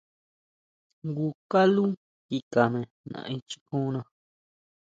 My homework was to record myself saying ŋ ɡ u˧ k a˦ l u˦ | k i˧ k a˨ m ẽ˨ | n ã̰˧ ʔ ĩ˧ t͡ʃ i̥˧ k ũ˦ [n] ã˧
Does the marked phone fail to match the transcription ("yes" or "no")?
no